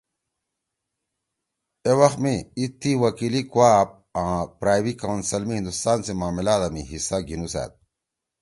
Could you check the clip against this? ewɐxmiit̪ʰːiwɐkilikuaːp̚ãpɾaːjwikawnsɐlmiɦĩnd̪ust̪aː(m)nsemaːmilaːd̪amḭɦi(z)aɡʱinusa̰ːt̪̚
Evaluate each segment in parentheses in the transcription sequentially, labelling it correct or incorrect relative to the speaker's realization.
incorrect: none, incorrect: s

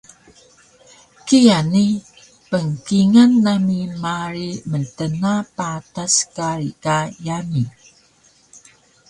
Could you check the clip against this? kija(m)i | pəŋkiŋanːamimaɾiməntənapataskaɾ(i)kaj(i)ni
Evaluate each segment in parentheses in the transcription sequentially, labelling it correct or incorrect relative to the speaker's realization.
incorrect: n, correct, incorrect: a

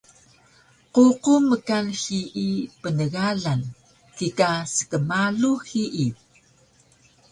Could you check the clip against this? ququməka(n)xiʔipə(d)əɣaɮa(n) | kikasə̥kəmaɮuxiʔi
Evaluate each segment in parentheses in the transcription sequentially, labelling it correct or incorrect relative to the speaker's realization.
correct, incorrect: n, correct

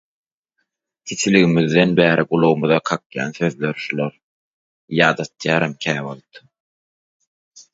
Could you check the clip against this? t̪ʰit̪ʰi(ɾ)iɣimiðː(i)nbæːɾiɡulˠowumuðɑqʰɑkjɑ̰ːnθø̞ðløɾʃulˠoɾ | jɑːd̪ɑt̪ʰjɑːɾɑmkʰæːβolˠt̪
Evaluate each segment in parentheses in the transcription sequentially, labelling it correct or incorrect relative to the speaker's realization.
incorrect: l, incorrect: e

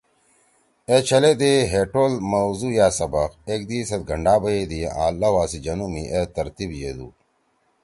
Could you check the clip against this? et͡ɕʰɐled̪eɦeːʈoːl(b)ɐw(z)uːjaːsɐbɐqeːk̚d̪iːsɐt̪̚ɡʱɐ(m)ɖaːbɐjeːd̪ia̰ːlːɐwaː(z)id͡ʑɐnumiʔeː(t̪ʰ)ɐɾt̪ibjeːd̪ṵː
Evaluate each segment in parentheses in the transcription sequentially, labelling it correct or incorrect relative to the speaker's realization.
incorrect: m, correct, incorrect: ɳ, incorrect: s, incorrect: t̪

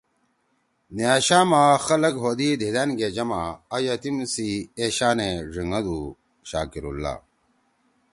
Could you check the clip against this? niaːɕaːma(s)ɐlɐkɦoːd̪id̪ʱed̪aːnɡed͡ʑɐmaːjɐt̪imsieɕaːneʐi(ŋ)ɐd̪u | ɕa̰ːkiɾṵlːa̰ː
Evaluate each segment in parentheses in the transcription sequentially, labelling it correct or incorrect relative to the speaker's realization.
incorrect: x, correct

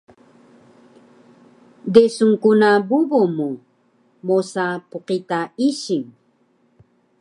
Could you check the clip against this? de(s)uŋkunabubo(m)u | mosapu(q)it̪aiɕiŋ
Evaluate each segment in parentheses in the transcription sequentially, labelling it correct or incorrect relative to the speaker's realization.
correct, correct, correct

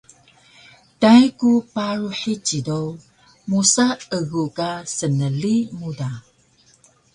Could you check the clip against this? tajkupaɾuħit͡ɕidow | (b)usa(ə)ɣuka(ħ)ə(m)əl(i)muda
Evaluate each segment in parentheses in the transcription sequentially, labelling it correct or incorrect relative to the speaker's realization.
incorrect: m, correct, incorrect: s, incorrect: n, correct

